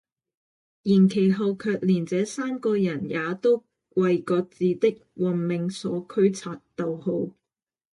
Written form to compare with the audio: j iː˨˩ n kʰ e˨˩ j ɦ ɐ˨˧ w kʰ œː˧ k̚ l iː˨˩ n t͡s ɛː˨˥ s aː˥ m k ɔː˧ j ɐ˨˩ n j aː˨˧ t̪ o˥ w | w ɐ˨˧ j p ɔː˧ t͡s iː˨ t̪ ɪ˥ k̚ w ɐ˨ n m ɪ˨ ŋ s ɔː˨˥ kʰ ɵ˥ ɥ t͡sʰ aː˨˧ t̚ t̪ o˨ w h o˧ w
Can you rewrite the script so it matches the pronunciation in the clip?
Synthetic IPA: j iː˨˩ n kʰ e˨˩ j ɦ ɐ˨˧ w kʰ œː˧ k̚ l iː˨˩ n t͡s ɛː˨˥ s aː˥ m k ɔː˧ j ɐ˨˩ n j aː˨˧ t̪ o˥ w | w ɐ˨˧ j k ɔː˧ t͡s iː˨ t̪ ɪ˥ k̚ w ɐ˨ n m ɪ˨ ŋ s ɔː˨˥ kʰ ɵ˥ ɥ t͡sʰ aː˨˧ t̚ t̪ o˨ w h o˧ w